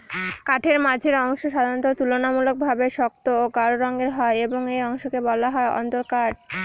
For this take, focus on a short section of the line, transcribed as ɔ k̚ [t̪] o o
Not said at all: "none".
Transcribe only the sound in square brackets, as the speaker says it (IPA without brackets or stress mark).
t̪